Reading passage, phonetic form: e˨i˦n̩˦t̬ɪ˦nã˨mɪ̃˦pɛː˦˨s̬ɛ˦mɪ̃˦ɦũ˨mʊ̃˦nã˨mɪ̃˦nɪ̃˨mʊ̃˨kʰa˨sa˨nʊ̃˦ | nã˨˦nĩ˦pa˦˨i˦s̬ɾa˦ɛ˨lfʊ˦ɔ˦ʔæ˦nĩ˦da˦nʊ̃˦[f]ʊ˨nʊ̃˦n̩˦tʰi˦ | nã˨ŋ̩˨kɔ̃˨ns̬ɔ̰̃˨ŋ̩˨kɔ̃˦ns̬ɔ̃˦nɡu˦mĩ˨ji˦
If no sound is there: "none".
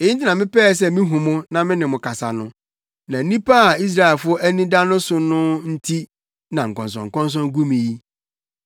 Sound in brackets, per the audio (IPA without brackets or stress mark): s